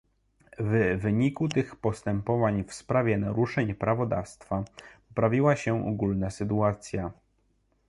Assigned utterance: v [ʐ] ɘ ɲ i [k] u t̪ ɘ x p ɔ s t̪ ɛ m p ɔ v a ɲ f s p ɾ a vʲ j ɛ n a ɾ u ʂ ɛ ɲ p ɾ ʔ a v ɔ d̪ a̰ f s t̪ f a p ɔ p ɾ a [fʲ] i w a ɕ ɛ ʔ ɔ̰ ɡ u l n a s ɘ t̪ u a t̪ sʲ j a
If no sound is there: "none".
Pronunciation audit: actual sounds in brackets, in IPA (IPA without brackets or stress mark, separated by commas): v, k, vʲ